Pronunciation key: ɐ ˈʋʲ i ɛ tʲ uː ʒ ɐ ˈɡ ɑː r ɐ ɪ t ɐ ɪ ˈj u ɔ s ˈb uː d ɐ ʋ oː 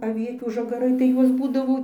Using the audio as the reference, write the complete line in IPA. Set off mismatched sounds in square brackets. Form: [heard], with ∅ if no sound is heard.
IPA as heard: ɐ ˈʋʲ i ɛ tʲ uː ʒ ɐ ˈɡ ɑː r ɐ ɪ t ɐ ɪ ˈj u ɔ s ˈb uː d ɐ ʋ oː